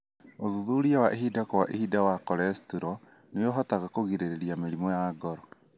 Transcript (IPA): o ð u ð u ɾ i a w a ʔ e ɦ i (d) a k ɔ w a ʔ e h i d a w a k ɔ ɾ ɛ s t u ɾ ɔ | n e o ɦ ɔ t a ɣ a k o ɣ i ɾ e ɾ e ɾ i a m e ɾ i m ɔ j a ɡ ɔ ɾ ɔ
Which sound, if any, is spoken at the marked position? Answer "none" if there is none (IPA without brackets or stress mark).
d